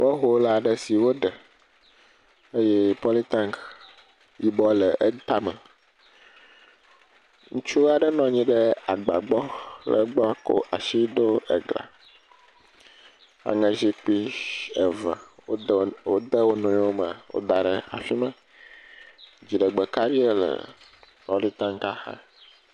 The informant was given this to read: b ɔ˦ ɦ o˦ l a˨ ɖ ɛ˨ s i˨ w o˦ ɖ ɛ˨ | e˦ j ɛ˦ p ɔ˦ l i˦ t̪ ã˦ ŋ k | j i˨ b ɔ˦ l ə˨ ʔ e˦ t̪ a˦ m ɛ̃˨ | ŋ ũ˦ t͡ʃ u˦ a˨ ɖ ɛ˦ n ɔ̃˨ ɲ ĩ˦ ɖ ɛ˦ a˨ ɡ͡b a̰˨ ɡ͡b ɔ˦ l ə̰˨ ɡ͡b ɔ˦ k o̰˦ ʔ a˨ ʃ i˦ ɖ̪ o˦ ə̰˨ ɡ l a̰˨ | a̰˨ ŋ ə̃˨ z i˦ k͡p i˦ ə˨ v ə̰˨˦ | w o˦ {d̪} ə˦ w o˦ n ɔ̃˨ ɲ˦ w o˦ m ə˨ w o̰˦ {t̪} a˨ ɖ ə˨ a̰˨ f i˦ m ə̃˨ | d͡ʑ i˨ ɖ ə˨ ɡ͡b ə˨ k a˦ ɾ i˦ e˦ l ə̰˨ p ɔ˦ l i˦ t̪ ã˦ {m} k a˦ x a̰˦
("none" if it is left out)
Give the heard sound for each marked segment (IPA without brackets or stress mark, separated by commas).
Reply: d̪, d̪, ŋ